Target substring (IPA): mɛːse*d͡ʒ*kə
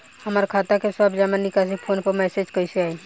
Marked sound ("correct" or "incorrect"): correct